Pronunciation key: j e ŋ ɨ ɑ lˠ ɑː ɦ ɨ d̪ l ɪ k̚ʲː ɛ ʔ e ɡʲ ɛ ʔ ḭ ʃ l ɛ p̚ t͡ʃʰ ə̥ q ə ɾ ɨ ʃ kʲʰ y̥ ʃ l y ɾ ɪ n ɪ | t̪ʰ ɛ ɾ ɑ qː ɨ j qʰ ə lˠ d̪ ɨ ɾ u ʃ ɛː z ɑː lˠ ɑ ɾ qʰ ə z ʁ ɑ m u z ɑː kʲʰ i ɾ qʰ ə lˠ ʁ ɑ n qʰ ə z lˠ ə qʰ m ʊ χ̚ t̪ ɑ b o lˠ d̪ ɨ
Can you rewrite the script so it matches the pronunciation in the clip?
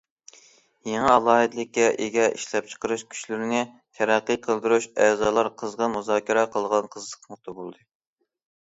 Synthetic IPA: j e ŋ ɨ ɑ lˠ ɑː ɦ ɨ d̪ l ɪ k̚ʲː ɛ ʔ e ɡʲ ɛ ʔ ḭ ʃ l ɛ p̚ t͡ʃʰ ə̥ q ə ɾ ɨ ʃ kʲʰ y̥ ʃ l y ɾ ɪ n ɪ | t̪ʰ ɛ ɾ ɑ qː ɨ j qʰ ə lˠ d̪ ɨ ɾ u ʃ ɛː z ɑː lˠ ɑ ɾ qʰ ə z ʁ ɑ m u z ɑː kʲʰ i ɾ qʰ ə lˠ ʁ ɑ n qʰ ə z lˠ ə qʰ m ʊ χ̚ t̪ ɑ b o lˠ d̪ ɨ